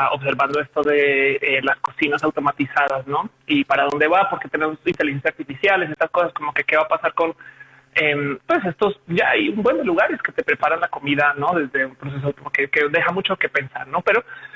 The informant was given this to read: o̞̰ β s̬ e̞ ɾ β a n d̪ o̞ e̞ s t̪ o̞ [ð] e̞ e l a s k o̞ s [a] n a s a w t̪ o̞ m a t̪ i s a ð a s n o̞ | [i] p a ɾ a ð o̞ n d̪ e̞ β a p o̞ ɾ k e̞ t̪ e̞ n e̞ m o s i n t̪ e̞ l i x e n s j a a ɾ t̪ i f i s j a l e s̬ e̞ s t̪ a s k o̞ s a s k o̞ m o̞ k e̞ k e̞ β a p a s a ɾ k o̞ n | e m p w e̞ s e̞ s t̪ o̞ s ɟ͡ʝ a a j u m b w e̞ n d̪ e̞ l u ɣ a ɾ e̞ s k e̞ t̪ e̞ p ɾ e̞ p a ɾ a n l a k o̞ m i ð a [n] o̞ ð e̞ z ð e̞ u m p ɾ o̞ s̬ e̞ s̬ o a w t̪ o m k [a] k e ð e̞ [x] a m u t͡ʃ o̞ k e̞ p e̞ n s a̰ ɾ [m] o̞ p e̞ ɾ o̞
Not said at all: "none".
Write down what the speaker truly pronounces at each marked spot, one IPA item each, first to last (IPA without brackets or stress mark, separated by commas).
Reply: ð, i, i, n, e, x, n